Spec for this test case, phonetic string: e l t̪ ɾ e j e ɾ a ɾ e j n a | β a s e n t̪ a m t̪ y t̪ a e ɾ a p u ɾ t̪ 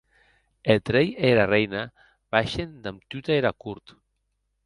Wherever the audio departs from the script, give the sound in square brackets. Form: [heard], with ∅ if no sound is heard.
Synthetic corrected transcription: e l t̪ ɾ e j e ɾ a [r] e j n a | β a [ʃ] e n [d̪] a m t̪ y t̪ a e ɾ a [k] u ɾ t̪